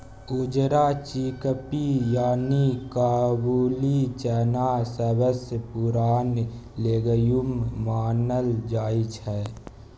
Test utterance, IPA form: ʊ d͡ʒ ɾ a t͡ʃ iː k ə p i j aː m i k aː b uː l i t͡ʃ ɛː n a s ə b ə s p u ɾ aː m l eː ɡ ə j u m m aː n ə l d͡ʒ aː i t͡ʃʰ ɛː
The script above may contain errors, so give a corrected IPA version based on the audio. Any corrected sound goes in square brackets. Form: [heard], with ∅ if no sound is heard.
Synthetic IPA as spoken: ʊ d͡ʒ ɾ a t͡ʃ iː k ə p i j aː [n] i k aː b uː l i t͡ʃ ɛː n a s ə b ə s p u ɾ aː [n] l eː ɡ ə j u m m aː n ə l d͡ʒ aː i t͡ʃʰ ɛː